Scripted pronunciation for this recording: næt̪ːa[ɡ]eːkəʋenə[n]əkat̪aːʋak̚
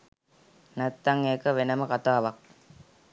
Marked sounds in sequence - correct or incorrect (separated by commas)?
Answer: incorrect, incorrect